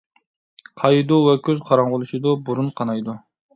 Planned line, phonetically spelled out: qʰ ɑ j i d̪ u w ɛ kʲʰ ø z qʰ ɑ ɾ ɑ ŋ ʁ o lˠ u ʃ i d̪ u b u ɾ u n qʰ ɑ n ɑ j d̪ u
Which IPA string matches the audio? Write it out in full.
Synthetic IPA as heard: qʰ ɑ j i d̪ u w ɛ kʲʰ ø z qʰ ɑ ɾ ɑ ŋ ʁ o lˠ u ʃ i d̪ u b u ɾ u n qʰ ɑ n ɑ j d̪ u